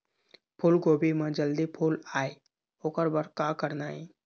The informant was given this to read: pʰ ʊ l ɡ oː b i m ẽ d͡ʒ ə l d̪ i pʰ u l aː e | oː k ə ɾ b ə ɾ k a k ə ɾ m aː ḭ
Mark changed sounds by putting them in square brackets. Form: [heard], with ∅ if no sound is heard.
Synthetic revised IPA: pʰ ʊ l ɡ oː b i m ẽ d͡ʒ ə l d̪ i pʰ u l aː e | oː k ə ɾ b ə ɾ k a k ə ɾ [n] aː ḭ